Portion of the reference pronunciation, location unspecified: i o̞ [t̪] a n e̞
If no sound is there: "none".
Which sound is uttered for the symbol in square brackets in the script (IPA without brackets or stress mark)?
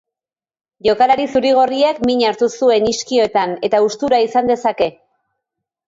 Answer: t̪